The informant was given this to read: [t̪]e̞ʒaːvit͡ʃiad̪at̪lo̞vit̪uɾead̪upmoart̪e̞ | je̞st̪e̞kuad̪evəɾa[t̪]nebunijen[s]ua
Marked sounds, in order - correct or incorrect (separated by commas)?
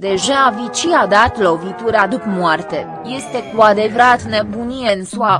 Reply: incorrect, correct, correct